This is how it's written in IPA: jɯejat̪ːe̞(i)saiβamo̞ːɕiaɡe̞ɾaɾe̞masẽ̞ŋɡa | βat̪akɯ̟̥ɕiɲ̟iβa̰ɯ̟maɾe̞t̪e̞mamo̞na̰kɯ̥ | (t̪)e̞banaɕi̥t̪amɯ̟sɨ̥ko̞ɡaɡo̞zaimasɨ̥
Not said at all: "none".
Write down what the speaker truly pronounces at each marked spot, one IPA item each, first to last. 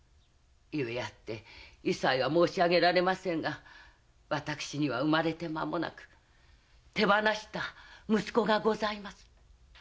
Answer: i, t̪

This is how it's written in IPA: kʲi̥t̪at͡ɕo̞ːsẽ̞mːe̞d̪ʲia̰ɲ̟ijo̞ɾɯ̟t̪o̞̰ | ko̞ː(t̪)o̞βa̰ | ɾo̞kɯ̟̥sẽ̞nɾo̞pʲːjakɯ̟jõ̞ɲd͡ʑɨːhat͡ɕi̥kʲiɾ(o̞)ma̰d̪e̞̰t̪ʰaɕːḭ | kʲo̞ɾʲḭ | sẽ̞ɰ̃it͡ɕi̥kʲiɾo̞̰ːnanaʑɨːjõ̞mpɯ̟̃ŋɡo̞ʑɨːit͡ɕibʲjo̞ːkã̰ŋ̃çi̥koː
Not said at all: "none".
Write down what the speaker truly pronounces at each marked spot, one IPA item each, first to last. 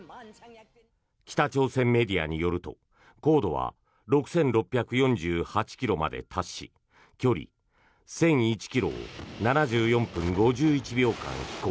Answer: d̪, o̞

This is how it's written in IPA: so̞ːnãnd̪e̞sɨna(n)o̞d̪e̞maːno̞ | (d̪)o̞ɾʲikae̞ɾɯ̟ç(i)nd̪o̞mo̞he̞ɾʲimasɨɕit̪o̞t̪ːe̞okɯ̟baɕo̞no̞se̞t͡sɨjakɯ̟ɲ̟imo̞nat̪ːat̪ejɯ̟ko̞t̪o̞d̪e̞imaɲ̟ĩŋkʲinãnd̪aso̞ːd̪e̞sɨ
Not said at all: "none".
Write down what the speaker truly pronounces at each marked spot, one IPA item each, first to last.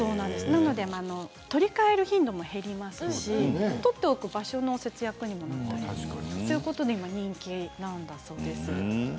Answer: n, t̪, ĩ

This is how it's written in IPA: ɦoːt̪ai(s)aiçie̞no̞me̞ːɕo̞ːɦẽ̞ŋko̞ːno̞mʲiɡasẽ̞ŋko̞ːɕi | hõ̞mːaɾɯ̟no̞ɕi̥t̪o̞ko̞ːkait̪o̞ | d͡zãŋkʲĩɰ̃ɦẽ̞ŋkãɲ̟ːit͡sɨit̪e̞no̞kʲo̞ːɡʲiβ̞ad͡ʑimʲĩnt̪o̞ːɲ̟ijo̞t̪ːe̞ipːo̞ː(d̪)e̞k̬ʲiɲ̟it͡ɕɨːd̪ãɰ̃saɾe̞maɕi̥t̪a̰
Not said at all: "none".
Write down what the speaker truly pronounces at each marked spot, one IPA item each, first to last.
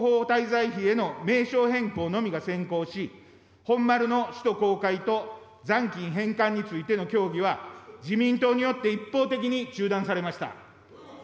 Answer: z, t̪

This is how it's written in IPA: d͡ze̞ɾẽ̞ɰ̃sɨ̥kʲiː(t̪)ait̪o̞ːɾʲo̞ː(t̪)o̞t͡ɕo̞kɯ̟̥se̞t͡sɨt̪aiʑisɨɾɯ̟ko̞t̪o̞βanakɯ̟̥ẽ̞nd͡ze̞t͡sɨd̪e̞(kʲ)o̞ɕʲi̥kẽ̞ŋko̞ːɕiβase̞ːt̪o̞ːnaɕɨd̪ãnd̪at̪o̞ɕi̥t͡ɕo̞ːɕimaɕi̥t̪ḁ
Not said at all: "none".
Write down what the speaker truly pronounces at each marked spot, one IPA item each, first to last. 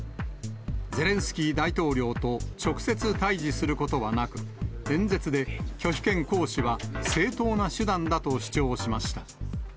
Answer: d̪, t̪, kʲ

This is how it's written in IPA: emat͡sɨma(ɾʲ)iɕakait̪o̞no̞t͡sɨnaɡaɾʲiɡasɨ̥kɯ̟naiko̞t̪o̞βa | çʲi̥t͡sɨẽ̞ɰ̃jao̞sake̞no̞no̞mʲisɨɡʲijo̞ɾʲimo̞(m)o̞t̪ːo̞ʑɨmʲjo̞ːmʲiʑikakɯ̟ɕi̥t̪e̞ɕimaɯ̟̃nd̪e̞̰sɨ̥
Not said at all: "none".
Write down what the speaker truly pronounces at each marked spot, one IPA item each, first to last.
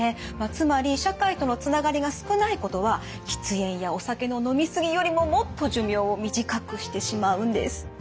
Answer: ɾʲ, m

